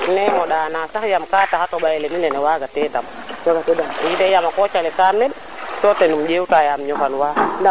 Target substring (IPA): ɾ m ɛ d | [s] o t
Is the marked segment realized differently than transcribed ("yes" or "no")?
no